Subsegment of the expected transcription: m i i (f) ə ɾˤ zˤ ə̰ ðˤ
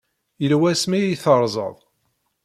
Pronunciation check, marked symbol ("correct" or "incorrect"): incorrect